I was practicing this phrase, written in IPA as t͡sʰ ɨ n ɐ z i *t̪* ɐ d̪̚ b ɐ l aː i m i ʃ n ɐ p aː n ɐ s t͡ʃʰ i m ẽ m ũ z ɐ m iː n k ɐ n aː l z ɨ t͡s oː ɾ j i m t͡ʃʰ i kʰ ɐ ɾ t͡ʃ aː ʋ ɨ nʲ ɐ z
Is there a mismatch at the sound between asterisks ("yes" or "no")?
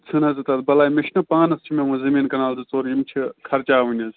no